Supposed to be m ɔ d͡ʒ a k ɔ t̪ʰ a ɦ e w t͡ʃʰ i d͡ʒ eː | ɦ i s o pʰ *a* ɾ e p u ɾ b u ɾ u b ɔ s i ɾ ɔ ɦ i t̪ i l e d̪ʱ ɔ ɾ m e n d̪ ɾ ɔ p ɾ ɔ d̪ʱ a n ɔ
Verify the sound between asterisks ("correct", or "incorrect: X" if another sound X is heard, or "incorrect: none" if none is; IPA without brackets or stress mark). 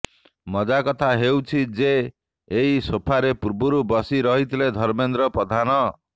correct